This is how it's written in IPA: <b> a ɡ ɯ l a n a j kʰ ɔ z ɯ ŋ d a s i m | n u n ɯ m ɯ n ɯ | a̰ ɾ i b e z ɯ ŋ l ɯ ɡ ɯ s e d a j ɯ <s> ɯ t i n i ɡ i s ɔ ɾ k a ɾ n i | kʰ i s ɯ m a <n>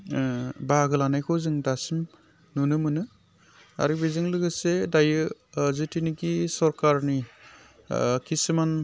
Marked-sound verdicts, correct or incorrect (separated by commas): correct, incorrect, correct